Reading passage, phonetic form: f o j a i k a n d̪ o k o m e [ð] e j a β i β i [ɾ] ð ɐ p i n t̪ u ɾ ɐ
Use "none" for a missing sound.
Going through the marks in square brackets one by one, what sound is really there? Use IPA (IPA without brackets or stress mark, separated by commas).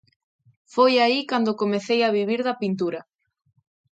θ, ɾ